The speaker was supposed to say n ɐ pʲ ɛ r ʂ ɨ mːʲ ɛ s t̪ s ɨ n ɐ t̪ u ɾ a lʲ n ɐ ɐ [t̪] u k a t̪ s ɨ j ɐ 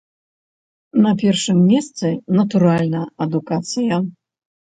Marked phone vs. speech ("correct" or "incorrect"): incorrect